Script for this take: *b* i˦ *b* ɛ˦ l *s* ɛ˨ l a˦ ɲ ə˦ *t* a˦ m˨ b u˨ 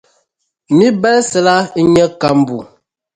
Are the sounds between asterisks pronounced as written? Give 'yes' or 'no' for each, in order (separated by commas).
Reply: no, yes, yes, no